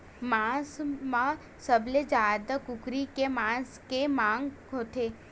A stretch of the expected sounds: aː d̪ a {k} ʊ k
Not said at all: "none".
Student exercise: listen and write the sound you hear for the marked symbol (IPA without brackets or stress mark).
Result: k